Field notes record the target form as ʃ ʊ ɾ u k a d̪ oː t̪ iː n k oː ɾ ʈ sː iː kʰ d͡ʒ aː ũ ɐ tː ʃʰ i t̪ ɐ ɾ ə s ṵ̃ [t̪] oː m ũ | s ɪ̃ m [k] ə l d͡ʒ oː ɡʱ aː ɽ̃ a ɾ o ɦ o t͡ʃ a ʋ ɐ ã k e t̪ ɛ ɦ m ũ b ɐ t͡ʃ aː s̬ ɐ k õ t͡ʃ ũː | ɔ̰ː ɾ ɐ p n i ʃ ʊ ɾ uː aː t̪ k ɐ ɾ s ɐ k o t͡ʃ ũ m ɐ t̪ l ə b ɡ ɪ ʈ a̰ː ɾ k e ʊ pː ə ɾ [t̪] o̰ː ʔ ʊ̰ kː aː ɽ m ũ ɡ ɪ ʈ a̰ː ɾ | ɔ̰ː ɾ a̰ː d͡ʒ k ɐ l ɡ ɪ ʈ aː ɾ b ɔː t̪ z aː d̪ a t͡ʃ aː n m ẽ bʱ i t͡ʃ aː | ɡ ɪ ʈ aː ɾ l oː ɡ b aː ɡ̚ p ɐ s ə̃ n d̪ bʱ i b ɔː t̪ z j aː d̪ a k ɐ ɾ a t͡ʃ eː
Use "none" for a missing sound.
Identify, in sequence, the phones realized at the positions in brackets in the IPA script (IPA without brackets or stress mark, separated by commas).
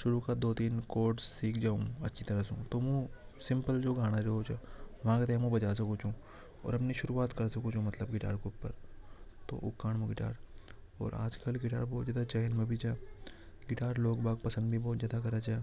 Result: t̪, p, t̪